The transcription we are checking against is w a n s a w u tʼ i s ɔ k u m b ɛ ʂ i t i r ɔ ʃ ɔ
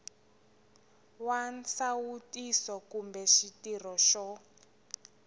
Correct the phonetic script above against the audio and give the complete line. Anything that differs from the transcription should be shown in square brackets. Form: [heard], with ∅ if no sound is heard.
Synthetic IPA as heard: w a n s a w u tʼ i s ɔ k u m b ɛ [ʃ] i t i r ɔ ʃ ɔ